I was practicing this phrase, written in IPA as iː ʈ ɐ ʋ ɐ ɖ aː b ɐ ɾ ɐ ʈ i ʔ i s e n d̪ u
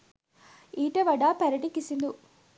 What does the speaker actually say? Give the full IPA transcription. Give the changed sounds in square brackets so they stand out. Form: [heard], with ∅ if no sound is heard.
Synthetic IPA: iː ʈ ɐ ʋ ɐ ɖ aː [p] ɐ ɾ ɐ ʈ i [k] i s [i] n d̪ u